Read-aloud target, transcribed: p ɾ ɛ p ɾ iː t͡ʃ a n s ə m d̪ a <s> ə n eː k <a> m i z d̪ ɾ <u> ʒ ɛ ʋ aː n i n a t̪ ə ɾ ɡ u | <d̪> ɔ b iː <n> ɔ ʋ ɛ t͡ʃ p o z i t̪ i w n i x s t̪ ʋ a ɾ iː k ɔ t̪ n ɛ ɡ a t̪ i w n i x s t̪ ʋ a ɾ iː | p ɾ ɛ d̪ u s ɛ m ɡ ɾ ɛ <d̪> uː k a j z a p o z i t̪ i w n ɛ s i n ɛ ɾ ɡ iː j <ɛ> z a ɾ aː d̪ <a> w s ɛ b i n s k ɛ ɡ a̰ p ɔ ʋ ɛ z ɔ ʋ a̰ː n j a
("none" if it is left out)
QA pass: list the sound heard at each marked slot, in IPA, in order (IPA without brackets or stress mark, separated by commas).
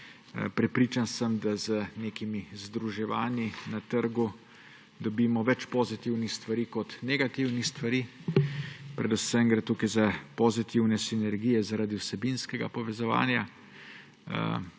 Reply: z, i, u, d̪, m, t̪, ɛ, i